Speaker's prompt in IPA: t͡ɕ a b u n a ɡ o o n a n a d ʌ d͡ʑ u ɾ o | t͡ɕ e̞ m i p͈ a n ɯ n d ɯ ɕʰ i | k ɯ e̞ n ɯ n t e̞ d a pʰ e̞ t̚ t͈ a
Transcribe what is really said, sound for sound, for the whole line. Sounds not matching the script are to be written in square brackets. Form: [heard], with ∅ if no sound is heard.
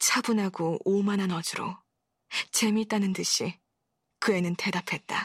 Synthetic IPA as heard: [t͡ɕʰ] a b u n a ɡ o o [m] a n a [n] ʌ d͡ʑ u ɾ o | t͡ɕ e̞ m i [t͈] a n ɯ n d ɯ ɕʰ i | k ɯ e̞ n ɯ n t e̞ d a pʰ e̞ t̚ t͈ a